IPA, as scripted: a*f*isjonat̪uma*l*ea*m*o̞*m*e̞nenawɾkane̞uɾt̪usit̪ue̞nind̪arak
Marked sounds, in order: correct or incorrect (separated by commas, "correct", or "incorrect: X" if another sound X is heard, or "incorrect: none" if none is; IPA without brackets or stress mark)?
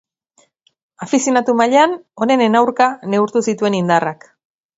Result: correct, incorrect: ʎ, incorrect: n, incorrect: n